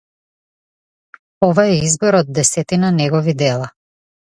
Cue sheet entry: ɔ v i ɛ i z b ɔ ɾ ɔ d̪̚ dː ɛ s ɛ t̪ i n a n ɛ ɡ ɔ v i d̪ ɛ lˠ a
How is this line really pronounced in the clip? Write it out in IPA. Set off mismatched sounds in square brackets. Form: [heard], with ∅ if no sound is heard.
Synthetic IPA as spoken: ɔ v [a] ɛ i z b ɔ ɾ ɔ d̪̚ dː ɛ s ɛ t̪ i n a n ɛ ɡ ɔ v i d̪ ɛ lˠ a